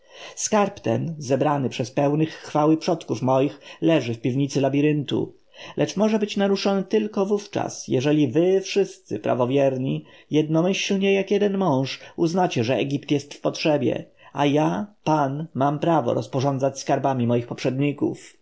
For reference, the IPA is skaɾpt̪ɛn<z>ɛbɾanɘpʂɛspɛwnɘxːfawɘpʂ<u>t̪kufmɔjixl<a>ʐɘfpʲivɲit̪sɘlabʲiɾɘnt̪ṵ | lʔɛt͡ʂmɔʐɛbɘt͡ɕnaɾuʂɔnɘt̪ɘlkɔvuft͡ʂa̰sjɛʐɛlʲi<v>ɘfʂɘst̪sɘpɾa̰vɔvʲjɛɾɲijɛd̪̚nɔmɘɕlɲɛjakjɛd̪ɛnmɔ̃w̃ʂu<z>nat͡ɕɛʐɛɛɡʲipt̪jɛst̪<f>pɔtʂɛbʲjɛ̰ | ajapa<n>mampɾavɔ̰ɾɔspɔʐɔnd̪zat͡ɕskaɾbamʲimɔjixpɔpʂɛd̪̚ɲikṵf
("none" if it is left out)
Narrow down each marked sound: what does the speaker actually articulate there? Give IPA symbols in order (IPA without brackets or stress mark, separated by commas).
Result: z, ɔ, ɛ, v, z, f, n